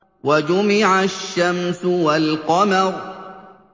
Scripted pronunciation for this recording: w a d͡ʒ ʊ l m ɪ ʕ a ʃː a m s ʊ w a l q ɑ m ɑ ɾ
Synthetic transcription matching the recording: w a d͡ʒ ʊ m ɪ ʕ a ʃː a m s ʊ w a l q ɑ m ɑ ɾ